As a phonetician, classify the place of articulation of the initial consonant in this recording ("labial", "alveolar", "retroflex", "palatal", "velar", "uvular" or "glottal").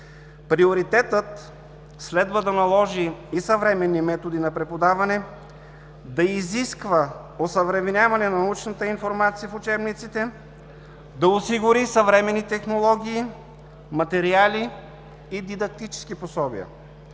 labial